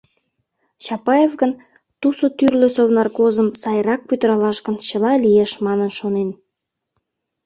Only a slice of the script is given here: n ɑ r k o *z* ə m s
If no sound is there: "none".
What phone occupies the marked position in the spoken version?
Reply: z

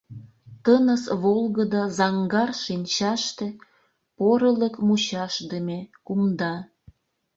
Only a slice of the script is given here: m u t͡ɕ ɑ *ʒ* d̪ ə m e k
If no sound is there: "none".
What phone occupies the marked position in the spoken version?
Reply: ʃ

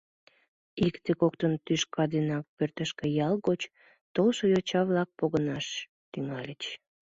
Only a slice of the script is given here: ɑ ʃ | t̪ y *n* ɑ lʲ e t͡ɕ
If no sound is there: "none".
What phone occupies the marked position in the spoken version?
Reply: ŋ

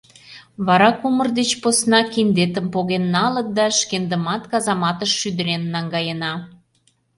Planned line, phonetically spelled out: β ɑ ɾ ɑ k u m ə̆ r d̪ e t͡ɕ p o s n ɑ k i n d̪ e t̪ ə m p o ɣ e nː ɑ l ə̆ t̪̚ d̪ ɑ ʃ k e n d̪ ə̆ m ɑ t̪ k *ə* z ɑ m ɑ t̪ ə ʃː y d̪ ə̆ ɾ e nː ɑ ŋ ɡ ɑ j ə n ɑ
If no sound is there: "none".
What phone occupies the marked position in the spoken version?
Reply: ɑ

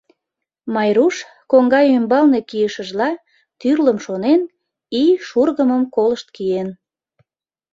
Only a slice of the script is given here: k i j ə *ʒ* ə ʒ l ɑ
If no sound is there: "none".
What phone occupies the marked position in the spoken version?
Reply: ʃ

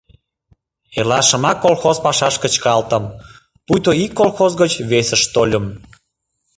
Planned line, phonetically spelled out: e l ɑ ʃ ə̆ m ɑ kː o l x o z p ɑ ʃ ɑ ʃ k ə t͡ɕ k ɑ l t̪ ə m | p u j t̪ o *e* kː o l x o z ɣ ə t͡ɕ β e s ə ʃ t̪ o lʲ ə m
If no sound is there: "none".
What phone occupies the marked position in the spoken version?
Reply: i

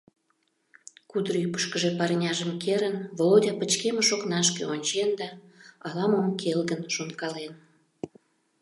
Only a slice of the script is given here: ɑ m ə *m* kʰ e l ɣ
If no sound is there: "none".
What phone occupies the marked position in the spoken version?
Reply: m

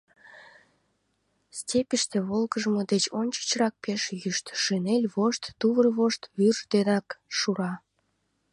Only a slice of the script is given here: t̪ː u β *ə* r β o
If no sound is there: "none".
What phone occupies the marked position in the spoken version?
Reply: ə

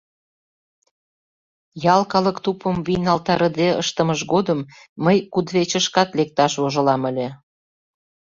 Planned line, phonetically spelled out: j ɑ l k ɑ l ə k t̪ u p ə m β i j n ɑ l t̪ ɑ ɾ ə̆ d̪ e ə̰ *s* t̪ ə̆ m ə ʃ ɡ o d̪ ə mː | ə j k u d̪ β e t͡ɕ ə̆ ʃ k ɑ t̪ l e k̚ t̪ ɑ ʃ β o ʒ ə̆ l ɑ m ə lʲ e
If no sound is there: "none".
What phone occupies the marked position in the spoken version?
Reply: ʃ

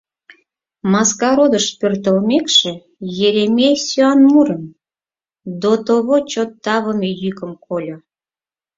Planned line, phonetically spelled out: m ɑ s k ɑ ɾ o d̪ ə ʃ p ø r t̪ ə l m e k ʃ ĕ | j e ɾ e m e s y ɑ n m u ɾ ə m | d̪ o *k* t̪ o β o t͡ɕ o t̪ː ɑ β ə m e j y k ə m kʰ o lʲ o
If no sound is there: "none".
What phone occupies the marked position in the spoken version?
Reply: none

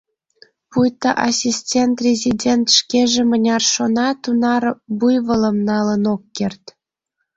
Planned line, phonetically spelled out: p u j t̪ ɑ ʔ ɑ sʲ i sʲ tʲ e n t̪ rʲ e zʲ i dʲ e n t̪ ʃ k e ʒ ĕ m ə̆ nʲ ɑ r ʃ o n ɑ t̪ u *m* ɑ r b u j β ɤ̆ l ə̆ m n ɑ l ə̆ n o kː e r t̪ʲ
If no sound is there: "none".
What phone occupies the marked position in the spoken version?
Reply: n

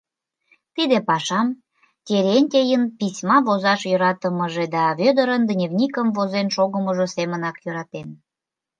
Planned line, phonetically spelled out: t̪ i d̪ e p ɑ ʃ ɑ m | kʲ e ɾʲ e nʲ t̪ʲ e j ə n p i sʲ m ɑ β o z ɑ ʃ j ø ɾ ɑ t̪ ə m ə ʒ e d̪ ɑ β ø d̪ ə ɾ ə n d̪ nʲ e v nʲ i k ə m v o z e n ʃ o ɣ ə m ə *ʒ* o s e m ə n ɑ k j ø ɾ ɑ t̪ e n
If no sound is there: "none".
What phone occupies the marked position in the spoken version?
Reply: ʒ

